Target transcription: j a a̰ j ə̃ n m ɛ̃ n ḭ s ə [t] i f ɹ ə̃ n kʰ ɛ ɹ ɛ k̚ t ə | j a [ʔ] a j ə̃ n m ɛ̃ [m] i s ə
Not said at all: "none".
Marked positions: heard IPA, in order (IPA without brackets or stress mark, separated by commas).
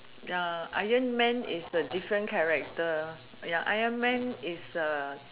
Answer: d, ʔ, n